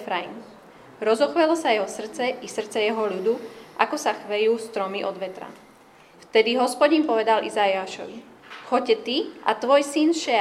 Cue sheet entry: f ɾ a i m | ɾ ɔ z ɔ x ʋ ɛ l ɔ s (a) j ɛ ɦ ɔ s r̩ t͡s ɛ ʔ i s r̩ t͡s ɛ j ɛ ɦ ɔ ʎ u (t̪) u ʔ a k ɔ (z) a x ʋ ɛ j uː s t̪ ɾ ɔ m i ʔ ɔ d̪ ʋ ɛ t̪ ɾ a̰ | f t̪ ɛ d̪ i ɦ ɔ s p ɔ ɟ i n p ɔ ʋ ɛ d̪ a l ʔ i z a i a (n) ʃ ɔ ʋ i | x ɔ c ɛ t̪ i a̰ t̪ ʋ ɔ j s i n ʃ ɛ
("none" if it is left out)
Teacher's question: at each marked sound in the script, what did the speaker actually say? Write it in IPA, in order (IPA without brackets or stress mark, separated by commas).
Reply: a, d̪, s, none